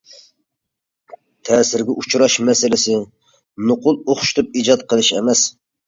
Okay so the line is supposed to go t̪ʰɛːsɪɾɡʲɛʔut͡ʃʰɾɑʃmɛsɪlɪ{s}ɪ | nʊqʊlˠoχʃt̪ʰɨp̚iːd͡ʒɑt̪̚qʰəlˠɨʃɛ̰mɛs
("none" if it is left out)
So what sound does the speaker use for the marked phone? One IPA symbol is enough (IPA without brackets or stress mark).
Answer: s